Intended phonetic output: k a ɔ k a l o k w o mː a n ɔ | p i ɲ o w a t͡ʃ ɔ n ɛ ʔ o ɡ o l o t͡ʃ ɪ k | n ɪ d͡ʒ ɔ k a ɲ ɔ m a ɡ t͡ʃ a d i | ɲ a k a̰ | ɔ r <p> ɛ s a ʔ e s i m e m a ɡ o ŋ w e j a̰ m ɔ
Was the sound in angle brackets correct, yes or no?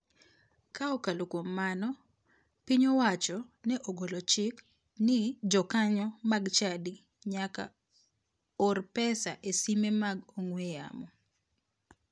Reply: yes